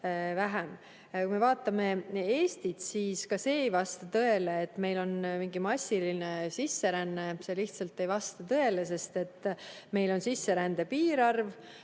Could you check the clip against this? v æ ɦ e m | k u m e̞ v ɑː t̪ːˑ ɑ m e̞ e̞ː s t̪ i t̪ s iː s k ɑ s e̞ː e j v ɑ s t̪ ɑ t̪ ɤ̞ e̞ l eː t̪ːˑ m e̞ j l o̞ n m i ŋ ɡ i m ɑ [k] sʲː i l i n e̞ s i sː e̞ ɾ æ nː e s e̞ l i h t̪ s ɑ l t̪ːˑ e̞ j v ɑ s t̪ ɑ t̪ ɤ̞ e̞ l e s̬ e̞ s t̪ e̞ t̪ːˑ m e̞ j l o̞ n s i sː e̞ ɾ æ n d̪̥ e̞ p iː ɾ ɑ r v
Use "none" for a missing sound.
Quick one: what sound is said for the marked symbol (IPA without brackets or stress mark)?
none